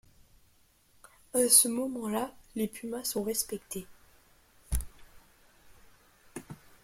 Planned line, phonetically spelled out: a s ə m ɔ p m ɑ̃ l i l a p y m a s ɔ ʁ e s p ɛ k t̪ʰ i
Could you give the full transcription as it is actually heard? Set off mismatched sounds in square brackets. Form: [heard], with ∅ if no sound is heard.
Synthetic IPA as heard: a s ə m ɔ [∅] m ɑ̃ l [a] l [e] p y m a s [ɔ̃] ʁ [ɛ] s p ɛ k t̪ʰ [e]

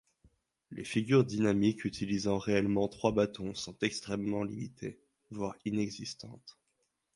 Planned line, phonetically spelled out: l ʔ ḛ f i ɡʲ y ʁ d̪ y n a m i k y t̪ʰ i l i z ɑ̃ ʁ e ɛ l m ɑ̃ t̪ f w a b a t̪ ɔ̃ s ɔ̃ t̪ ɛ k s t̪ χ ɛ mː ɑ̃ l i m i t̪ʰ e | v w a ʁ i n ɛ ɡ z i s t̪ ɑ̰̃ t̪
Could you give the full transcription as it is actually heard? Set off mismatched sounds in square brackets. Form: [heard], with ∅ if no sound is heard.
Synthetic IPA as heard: l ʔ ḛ f i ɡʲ y ʁ d̪ [i] n a m i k y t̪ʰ i l i z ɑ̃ ʁ e ɛ l m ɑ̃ t̪ [χ] w a b a t̪ ɔ̃ s ɔ̃ t̪ ɛ k s t̪ χ ɛ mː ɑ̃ l i m i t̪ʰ e | v w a ʁ i n ɛ ɡ z i s t̪ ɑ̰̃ t̪

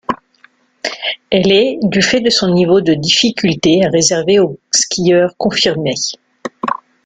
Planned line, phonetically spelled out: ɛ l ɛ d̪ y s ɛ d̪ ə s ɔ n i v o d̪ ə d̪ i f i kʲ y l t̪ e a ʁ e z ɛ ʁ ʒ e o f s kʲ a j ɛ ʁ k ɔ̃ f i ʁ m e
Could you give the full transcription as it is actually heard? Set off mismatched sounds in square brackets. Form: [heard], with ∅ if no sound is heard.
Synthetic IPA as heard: ɛ l ɛ d̪ y [f] ɛ d̪ ə s [ɔ̃] n i v o d̪ ə d̪ i f i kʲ y l t̪ e a ʁ e z ɛ ʁ [v] e o [∅] s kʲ [i] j [œ] ʁ k ɔ̃ f i ʁ m e

